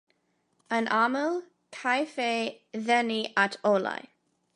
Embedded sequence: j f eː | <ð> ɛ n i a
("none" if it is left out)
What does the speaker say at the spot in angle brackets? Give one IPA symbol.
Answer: ð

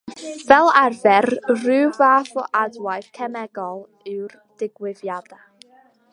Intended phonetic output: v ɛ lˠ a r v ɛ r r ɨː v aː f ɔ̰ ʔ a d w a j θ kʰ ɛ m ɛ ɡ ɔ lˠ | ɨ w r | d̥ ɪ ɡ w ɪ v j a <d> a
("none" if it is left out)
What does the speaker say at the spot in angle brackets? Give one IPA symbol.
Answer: d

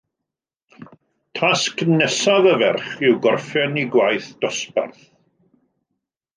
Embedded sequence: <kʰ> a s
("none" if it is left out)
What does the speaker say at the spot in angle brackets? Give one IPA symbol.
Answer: tʰ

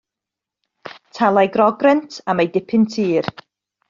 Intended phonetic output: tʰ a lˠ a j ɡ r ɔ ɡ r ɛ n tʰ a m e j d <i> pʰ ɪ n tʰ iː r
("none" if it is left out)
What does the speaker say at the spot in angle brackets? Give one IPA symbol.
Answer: ɪ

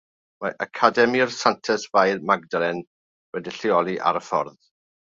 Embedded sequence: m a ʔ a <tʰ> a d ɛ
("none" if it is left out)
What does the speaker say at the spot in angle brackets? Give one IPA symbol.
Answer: kʰ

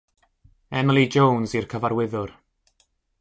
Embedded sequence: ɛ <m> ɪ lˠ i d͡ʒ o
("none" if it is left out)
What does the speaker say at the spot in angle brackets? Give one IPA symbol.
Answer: m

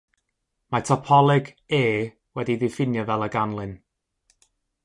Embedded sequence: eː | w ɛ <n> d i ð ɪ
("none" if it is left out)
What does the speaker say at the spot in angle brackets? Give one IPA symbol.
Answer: none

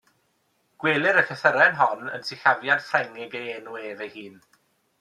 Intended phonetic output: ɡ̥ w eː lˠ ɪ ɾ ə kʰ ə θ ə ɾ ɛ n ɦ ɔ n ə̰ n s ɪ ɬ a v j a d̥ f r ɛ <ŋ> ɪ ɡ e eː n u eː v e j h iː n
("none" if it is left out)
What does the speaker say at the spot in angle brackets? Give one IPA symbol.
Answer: ŋ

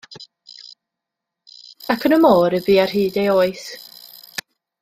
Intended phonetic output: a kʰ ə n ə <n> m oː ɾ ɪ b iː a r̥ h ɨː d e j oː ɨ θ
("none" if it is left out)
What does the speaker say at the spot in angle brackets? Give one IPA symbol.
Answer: none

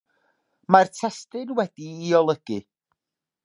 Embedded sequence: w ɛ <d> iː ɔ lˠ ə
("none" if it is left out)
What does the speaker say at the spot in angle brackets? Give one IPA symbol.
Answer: d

